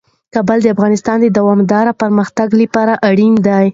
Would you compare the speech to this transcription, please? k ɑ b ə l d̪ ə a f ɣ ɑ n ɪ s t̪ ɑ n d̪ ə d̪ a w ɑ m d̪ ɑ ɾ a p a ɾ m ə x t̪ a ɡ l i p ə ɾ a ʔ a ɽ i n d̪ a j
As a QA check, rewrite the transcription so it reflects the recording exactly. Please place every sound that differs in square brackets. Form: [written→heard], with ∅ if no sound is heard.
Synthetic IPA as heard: k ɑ b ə l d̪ ə a f ɣ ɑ n ɪ s t̪ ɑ n d̪ ə d̪ a w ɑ m d̪ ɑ ɾ a p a ɾ m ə x t̪ a ɡ l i p [ə→ɑ] ɾ a ʔ a ɽ i n d̪ a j